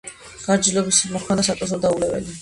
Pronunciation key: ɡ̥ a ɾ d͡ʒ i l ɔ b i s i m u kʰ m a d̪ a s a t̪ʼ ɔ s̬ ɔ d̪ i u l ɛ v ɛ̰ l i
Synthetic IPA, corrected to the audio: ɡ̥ a ɾ d͡ʒ i l ɔ b i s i m ɔ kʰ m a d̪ a s a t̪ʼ ɔ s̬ ɔ d̪ a u l ɛ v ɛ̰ l i

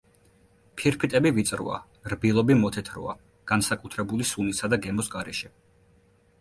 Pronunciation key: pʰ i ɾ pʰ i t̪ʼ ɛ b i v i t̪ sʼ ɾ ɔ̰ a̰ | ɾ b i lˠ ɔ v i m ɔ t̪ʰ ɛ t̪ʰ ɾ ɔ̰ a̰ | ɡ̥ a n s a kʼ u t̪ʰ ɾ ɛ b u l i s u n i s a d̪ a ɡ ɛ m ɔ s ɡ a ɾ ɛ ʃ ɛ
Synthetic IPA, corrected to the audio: pʰ i ɾ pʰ i t̪ʼ ɛ b i v i t̪ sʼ ɾ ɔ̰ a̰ | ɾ b i lˠ ɔ b i m ɔ t̪ʰ ɛ t̪ʰ ɾ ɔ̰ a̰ | ɡ̥ a n s a kʼ u t̪ʰ ɾ ɛ b u l i s u n i s a d̪ a ɡ ɛ m ɔ s ɡ a ɾ ɛ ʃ ɛ

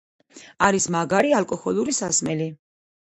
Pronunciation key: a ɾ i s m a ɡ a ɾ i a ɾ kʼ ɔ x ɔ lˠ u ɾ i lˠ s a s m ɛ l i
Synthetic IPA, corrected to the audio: a ɾ i s m a ɡ a ɾ i a l kʼ ɔ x ɔ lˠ u ɾ i s a s m ɛ l i

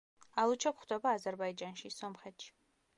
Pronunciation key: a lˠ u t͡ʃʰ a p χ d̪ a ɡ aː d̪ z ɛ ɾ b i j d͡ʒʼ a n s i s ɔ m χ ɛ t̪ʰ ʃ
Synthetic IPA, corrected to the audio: a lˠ u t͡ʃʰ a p χ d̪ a b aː z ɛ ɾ b a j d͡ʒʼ a n ʃ i s ɔ m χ ɛ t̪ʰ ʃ

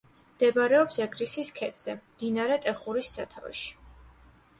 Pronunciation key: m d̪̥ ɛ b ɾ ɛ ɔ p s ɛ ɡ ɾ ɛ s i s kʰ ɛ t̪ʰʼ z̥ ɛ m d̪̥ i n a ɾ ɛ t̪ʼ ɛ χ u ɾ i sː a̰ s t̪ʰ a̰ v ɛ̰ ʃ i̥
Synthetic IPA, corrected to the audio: m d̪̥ ɛ b ɾ ɛ ɔ p s ɛ ɡ ɾ i s i s kʰ ɛ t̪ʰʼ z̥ ɛ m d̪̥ i n a ɾ ɛ t̪ʼ ɛ χ u ɾ i sː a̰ t̪ʰ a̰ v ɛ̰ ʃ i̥

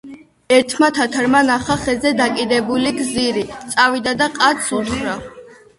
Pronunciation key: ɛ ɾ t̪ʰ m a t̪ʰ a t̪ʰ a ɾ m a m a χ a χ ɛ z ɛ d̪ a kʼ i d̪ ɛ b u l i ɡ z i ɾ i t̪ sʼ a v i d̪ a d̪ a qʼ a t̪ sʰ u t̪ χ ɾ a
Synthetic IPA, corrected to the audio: ɛ ɾ t̪ʰ m a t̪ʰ a t̪ʰ a ɾ m a n a χ a χ ɛ z ɛ d̪ a kʼ i d̪ ɛ b u l i ɡ z i ɾ i t̪ sʼ a v i d̪ a d̪ a qʼ a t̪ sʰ u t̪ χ ɾ a

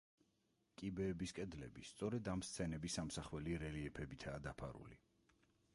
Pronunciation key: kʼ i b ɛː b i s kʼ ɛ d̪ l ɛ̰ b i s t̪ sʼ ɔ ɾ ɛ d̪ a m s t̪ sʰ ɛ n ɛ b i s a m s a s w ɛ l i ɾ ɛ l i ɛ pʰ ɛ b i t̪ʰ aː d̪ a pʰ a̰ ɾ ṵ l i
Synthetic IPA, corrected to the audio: kʼ i b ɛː b i s kʼ ɛ d̪ l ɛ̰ b i s t̪ sʼ ɔ ɾ ɛ d̪ a m s t̪ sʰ ɛ n ɛ b i s a m s a χ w ɛ l i ɾ ɛ l i ɛ pʰ ɛ b i t̪ʰ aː d̪ a pʰ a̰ ɾ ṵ l i

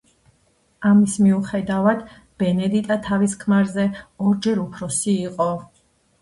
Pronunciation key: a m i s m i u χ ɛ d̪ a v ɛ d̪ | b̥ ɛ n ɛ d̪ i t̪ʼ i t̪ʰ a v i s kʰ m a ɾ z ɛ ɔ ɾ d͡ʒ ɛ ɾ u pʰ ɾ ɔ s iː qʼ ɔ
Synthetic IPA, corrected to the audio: a m i s m i u χ ɛ d̪ a v a d̪ | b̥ ɛ n ɛ d̪ i t̪ʼ a t̪ʰ a v i s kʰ m a ɾ z ɛ ɔ ɾ d͡ʒ ɛ ɾ u pʰ ɾ ɔ s iː qʼ ɔ

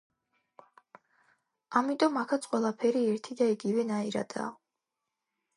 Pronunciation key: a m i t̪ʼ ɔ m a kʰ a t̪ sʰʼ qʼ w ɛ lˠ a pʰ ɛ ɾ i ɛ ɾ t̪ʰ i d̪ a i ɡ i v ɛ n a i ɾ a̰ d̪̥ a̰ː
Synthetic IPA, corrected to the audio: a m i t̪ʼ ɔ m a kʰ a t̪ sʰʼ qʼ w ɛ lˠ a pʰ ɛ ɾ i ɛ ɾ t̪ʰ i d̪ a i ɡ i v ɛ n a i ɾ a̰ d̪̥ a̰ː

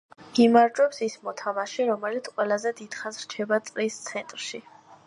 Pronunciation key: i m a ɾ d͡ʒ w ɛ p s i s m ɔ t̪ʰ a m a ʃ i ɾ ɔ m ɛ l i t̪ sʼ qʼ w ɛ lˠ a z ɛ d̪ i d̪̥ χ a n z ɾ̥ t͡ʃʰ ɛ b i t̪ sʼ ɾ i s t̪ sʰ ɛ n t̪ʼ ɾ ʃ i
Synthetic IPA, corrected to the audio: i m a ɾ d͡ʒ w ɛ p s i s m ɔ t̪ʰ a m a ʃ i ɾ ɔ m ɛ l i t̪ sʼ qʼ w ɛ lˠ a z ɛ d̪ i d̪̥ χ a n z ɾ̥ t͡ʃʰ ɛ b a t̪ sʼ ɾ i s t̪ sʰ ɛ n t̪ʼ ɾ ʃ i

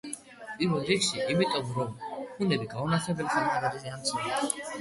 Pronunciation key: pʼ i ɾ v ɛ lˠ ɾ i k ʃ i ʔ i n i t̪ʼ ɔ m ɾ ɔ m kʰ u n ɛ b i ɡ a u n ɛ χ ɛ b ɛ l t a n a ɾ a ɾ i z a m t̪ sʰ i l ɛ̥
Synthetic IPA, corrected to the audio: pʼ i ɾ v ɛ lˠ ɾ i k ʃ i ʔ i m i t̪ʼ ɔ m ɾ ɔ m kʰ u n ɛ b i ɡ a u n a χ ɛ b ɛ l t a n a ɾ a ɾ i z a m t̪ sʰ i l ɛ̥

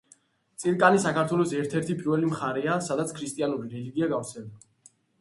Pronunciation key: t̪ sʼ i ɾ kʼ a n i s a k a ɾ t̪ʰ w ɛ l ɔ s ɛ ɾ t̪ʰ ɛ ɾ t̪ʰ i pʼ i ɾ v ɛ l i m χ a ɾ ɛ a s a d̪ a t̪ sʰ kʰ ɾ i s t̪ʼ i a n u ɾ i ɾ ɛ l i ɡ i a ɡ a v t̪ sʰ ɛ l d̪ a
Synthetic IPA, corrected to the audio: t̪ sʼ i ɾ kʼ a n i s a k a ɾ t̪ʰ w ɛ l ɔ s ɛ ɾ t̪ʰ ɛ ɾ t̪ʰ i pʼ i ɾ v ɛ l i m χ a ɾ ɛ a s a d̪ a t̪ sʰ kʰ ɾ i s t̪ʼ i a n u ɾ i ɾ ɛ l i ɡ i a ɡ a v t̪ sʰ ɛ l d̪ a

